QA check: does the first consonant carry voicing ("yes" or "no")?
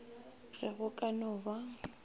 yes